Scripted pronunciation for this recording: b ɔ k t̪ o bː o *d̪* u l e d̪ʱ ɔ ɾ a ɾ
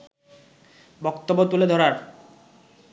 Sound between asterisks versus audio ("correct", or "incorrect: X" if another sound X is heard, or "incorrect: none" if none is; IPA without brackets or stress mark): incorrect: t̪